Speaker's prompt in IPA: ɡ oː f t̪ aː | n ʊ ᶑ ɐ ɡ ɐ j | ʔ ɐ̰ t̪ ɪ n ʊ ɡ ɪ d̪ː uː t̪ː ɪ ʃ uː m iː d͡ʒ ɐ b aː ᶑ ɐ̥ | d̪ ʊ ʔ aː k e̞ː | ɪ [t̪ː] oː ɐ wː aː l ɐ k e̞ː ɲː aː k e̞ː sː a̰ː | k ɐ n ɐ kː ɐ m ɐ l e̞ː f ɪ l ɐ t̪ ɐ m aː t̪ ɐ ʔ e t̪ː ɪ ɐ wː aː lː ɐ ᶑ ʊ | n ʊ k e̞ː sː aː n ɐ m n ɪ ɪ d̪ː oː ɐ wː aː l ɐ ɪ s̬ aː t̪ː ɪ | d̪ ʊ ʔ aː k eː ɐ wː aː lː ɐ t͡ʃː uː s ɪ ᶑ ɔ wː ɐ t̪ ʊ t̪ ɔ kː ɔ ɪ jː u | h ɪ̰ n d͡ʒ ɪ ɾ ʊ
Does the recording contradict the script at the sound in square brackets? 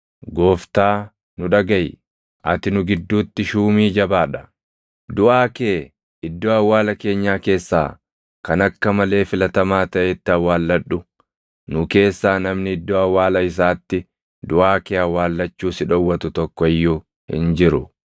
yes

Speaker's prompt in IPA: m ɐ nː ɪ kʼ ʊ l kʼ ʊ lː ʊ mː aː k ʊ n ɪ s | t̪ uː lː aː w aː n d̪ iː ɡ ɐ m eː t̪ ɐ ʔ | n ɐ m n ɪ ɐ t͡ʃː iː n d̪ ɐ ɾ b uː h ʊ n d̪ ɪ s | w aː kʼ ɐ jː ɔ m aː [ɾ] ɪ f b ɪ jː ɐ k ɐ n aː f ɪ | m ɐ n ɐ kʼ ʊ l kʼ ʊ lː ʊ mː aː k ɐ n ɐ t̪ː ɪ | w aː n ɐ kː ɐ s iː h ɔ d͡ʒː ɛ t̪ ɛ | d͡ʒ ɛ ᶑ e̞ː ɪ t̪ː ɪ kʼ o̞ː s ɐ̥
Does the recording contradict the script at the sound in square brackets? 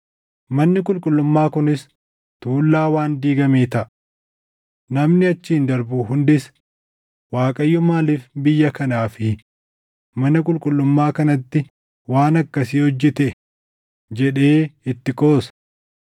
yes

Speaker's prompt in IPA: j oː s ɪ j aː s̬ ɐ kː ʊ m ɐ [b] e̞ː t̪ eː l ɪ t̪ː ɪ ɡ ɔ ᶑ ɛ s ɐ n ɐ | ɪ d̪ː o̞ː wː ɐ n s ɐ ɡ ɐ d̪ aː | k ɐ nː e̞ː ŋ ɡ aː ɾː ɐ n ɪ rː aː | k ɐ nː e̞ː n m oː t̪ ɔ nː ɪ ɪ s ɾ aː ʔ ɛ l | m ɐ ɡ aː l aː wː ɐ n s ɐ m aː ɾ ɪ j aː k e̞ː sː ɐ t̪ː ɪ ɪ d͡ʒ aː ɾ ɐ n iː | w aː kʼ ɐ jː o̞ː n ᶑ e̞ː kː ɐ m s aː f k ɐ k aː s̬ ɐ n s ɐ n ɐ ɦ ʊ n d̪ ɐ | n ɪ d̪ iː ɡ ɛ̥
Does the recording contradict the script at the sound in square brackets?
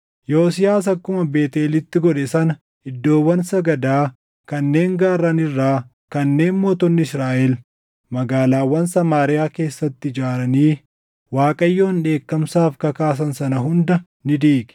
no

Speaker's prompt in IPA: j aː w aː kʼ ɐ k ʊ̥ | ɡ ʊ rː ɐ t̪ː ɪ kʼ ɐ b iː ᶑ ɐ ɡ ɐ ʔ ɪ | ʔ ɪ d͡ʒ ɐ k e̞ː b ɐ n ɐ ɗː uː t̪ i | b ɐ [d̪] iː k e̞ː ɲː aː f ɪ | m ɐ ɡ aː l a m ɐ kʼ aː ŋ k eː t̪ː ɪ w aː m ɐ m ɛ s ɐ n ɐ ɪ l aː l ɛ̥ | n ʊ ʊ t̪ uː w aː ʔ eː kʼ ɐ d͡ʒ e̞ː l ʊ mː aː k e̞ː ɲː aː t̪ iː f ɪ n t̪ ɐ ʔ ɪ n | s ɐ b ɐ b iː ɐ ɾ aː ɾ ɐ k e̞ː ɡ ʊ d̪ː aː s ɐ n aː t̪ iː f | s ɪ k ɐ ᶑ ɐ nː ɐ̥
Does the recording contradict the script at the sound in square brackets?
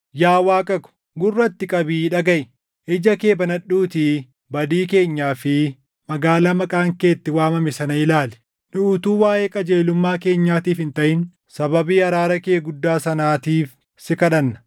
no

